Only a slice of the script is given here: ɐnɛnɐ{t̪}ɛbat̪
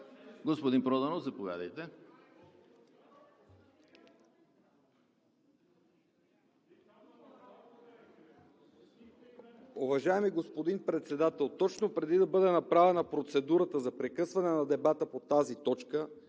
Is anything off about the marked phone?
yes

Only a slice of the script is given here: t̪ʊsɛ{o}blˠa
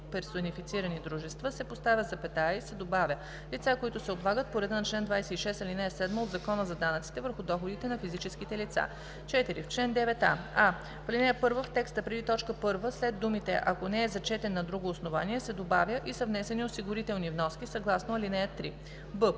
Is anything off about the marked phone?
no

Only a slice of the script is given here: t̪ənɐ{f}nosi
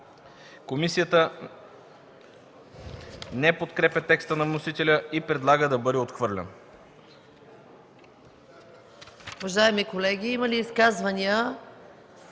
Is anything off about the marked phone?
yes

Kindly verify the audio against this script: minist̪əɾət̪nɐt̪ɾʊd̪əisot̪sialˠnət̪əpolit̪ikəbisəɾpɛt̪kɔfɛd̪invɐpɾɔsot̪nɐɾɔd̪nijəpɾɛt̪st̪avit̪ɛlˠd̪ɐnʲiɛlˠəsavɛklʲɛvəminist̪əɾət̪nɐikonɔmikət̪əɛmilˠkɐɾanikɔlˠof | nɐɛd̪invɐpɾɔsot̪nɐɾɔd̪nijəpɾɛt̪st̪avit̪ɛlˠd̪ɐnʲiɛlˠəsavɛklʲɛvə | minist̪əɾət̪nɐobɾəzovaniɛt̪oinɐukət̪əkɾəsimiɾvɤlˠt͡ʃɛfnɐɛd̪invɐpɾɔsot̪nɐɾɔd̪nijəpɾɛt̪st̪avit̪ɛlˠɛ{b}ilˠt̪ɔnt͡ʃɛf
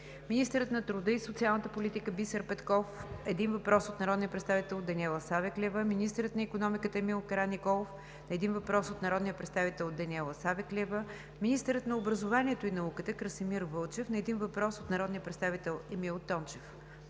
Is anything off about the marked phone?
yes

